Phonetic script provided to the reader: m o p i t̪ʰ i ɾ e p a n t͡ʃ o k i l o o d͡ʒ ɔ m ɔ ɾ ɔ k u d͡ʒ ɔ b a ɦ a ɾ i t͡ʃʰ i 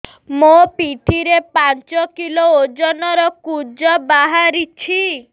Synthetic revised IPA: m o p i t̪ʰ i ɾ e p a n t͡ʃ ɔ k i l o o d͡ʒ ɔ n ɔ ɾ ɔ k u d͡ʒ ɔ b a ɦ a ɾ i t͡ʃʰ i